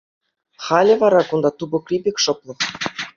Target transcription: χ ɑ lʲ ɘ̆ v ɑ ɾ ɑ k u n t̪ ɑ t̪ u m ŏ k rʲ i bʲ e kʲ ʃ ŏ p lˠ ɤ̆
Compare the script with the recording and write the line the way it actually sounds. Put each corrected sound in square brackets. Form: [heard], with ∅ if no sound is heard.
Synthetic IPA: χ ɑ lʲ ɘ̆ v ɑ ɾ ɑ k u n [d̪] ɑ t̪ u [b] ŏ k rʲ i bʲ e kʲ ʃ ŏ p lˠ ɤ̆